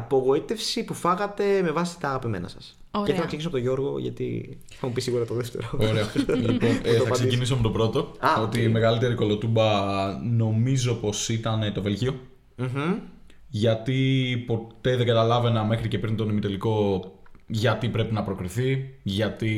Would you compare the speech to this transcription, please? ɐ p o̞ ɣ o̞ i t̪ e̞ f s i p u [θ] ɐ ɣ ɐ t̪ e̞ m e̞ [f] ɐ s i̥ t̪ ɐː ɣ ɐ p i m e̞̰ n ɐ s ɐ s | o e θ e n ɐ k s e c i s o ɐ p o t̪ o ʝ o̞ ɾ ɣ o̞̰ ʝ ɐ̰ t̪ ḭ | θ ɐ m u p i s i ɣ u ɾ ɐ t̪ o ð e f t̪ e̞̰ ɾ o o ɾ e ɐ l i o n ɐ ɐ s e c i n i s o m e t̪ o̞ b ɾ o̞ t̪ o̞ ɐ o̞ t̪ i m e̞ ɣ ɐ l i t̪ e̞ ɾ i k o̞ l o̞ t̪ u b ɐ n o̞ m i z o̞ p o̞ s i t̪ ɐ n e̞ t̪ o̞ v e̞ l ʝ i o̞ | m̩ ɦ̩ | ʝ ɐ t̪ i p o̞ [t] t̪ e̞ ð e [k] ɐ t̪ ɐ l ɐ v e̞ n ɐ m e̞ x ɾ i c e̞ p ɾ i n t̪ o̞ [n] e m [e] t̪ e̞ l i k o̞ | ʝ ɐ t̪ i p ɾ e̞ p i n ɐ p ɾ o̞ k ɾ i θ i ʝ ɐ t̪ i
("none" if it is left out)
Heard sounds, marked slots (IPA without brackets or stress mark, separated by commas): f, v, t, ɡ, n, i